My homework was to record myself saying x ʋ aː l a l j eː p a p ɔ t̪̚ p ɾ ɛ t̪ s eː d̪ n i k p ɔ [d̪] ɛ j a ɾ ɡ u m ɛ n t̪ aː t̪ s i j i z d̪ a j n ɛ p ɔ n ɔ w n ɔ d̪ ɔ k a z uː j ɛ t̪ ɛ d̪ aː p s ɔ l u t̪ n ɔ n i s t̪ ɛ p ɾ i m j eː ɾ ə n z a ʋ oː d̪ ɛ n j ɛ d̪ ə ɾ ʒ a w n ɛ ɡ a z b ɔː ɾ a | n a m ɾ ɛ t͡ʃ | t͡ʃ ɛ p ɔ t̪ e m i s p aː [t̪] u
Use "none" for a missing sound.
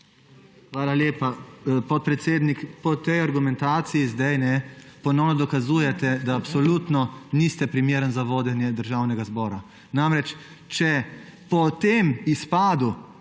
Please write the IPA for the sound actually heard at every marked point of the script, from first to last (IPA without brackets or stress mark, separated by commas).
t̪, d̪